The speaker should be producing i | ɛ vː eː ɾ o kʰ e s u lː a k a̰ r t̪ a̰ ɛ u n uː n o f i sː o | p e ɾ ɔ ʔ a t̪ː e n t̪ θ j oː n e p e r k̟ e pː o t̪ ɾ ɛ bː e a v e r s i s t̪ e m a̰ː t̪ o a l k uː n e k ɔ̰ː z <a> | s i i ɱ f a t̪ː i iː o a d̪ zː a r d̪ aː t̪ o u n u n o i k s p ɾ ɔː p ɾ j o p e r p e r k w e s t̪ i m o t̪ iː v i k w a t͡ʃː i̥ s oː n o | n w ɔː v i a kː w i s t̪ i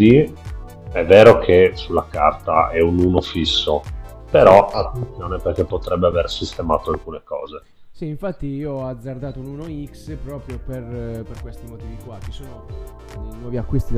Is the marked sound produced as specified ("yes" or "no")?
no